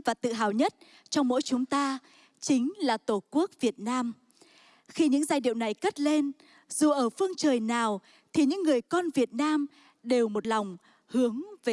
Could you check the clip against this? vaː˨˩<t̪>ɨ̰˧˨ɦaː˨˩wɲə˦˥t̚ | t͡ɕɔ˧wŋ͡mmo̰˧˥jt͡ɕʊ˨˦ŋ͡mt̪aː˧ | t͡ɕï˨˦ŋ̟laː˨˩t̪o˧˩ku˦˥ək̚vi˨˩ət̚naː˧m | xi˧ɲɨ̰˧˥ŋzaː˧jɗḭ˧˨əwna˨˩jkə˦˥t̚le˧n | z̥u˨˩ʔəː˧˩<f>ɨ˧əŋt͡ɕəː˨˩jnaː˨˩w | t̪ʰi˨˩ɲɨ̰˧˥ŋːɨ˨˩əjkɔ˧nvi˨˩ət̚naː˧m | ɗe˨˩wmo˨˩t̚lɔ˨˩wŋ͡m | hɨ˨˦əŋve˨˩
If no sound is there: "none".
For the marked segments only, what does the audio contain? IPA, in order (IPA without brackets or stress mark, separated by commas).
t̪, f